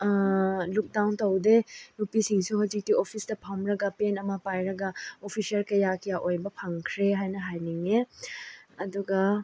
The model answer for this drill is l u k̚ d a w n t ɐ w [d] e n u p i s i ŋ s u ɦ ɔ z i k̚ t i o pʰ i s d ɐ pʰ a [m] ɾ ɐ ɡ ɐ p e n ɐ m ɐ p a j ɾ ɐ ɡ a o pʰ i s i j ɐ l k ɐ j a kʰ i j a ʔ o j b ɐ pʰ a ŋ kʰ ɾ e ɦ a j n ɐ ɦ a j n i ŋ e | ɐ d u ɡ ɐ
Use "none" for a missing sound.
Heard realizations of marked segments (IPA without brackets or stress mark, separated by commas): d, m